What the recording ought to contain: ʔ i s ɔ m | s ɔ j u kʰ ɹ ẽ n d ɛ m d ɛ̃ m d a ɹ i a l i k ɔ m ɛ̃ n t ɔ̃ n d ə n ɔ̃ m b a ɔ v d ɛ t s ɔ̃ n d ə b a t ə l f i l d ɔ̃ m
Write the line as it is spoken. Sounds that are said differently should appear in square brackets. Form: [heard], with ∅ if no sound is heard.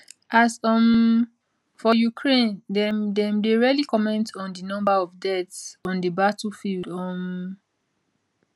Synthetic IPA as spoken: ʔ [a] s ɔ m | [f] ɔ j u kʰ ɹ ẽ n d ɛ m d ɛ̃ m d [e] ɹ i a l i k ɔ m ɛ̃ n t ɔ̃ n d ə n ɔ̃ m b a ɔ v d ɛ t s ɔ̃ n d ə b a t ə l f i l d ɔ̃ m

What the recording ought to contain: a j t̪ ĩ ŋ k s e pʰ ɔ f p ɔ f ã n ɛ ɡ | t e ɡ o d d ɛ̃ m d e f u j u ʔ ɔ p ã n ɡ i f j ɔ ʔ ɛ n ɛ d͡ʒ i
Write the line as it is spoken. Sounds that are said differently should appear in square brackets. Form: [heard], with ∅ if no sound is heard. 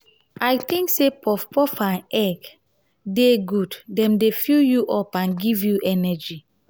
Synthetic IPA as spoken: a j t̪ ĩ ŋ k s e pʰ ɔ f p ɔ f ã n ɛ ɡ | [d] e ɡ [u] d d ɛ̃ m d e f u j u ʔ ɔ p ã n ɡ i [v] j [u] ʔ ɛ n ɛ d͡ʒ i

